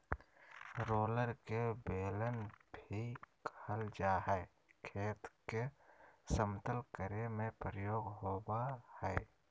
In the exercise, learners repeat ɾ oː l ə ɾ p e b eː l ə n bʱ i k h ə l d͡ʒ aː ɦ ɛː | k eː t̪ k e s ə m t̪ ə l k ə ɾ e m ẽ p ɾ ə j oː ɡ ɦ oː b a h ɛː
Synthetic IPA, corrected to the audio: ɾ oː l ə ɾ k e b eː l ə n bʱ i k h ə l d͡ʒ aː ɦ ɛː | kʰ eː t̪ k e s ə m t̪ ə l k ə ɾ e m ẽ p ɾ ə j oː ɡ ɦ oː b a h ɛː